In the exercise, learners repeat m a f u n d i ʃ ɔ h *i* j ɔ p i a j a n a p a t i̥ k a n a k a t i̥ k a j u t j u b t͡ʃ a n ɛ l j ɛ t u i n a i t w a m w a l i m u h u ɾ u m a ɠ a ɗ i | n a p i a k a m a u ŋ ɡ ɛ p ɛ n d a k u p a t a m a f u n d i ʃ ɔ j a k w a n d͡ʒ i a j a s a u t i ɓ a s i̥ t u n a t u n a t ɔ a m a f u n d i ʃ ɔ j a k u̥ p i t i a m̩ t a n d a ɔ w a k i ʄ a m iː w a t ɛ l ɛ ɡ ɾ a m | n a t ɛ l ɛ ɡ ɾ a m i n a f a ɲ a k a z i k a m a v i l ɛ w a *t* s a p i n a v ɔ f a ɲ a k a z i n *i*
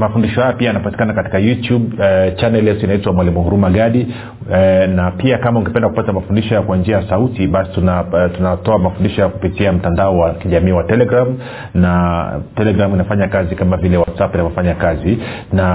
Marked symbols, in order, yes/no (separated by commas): no, yes, no